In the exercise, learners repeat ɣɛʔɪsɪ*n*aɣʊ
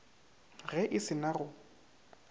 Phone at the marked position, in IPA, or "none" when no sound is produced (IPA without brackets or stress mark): n